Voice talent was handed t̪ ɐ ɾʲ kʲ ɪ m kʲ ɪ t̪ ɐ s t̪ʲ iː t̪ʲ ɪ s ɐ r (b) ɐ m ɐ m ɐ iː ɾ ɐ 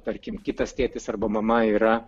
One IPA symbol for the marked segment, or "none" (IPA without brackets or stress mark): b